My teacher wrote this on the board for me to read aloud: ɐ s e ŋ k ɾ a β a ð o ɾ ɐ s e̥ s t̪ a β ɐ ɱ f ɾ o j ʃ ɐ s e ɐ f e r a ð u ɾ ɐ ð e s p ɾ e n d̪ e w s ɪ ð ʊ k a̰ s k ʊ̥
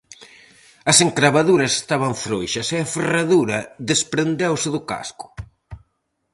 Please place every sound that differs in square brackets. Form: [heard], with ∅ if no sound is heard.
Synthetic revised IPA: ɐ s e ŋ k ɾ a β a ð [u] ɾ ɐ s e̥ s t̪ a β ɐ ɱ f ɾ o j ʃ ɐ s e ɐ f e r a ð u ɾ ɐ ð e s p ɾ e n d̪ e w s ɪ ð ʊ k a̰ s k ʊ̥